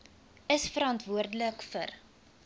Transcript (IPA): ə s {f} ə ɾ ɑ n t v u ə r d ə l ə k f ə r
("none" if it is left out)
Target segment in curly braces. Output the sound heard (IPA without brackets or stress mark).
f